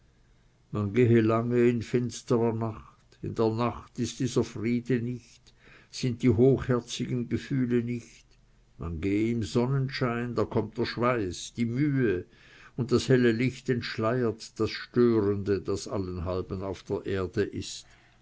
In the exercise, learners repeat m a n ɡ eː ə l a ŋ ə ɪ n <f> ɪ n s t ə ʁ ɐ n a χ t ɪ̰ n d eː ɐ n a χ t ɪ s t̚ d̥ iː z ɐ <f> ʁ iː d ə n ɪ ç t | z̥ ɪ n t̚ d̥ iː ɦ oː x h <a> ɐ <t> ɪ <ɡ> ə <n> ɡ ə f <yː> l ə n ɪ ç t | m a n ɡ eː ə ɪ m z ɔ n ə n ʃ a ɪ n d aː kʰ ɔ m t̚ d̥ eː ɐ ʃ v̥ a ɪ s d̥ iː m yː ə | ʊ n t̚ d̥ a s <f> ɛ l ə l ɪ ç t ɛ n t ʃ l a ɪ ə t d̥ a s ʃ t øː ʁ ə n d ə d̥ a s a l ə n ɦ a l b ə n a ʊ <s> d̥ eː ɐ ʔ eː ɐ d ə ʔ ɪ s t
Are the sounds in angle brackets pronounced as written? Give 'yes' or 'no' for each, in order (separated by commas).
yes, yes, no, no, yes, yes, yes, no, no